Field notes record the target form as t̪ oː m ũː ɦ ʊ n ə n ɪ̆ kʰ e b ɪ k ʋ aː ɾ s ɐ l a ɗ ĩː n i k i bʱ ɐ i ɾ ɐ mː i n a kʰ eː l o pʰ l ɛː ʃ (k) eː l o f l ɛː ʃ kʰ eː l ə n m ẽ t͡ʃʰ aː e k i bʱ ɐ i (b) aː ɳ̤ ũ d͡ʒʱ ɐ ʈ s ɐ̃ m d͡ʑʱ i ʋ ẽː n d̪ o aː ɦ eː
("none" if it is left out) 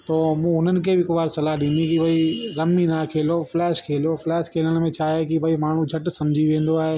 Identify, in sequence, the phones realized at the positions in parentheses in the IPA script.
kʰ, m

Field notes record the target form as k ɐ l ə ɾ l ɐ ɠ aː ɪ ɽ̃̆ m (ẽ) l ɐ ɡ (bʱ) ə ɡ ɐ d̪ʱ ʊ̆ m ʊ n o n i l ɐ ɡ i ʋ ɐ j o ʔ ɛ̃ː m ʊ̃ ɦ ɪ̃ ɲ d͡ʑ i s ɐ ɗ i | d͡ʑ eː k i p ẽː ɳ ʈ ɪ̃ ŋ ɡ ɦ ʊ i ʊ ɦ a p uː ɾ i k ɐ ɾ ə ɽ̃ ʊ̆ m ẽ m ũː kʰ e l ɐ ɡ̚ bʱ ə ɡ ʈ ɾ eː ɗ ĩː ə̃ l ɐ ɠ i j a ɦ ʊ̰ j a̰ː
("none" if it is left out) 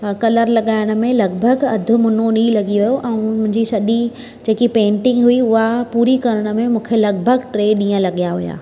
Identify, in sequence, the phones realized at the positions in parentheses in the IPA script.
ẽ, bʱ

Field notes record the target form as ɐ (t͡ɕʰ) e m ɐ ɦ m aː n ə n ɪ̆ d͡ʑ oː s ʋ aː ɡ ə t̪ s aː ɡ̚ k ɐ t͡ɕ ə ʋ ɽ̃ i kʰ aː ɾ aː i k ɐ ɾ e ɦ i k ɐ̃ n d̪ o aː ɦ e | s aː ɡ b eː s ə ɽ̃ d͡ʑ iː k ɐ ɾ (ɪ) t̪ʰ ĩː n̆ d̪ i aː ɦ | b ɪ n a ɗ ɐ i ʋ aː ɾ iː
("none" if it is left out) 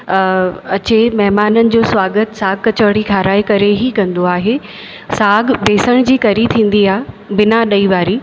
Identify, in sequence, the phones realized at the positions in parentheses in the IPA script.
t͡ɕ, i

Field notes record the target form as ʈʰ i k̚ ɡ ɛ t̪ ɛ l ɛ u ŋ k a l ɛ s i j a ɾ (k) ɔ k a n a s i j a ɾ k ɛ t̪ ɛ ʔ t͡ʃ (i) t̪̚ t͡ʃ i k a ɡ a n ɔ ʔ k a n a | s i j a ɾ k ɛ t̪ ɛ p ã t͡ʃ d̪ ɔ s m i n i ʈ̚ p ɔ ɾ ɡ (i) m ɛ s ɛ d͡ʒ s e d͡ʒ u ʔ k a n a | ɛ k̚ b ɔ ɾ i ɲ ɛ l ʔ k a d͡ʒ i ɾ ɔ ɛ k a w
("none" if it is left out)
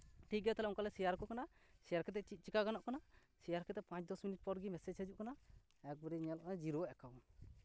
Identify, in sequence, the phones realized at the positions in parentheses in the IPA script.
k, i, i

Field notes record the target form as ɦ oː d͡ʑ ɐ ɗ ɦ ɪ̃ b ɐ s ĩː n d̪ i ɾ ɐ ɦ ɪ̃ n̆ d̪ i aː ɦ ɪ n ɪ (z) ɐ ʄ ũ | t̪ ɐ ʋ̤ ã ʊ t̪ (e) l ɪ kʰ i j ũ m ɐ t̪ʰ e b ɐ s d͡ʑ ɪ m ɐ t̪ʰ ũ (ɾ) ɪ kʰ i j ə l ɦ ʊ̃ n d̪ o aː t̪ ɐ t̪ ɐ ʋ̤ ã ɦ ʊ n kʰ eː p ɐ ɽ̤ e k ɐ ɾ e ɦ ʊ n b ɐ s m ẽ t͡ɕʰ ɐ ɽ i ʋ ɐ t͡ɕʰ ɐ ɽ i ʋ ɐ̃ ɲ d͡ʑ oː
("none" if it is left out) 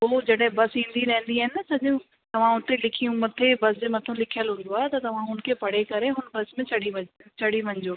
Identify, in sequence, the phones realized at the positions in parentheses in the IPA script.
s, e, l

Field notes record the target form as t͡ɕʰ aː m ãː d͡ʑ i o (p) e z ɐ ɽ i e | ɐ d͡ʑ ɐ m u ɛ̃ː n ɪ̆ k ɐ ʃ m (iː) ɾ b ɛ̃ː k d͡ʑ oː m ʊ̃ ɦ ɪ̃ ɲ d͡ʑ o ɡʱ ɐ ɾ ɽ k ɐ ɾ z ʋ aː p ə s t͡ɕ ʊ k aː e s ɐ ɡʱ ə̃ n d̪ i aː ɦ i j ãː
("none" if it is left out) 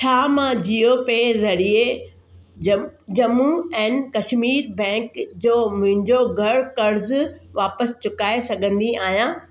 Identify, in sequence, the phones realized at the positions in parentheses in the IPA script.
p, iː

